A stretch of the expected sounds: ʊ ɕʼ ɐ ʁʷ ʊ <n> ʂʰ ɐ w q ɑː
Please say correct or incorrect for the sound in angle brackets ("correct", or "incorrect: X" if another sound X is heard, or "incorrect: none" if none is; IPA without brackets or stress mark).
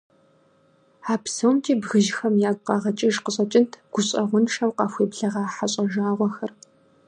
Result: correct